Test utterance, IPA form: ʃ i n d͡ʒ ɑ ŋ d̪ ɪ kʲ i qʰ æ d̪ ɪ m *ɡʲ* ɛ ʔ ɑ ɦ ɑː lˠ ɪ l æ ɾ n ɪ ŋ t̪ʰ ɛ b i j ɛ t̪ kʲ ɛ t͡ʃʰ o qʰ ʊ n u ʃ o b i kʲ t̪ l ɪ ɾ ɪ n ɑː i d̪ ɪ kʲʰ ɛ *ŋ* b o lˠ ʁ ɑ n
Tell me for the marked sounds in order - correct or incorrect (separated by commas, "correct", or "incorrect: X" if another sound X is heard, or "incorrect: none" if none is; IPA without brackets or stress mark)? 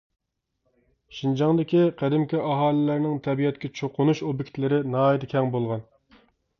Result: incorrect: kʲ, correct